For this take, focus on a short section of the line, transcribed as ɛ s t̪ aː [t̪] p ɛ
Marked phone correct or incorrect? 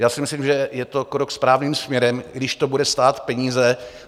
correct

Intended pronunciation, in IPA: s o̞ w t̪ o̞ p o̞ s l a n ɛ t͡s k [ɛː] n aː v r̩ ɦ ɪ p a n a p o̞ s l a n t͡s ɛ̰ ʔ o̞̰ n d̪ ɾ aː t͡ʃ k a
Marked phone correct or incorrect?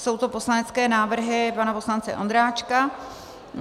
correct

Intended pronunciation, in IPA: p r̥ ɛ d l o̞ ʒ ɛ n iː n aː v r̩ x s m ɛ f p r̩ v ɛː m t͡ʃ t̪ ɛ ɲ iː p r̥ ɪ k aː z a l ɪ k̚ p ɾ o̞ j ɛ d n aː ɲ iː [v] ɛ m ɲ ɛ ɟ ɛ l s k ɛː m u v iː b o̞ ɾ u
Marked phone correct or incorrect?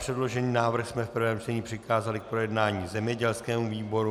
incorrect: z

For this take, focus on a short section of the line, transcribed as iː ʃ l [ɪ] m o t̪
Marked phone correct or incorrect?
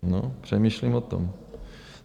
incorrect: i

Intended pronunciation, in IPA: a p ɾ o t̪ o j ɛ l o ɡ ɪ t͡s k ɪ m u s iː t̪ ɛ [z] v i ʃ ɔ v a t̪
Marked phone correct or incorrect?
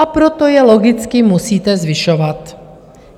correct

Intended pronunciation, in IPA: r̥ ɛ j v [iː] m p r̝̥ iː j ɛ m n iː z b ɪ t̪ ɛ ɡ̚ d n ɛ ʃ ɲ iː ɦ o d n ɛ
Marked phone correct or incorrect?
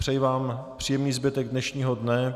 incorrect: aː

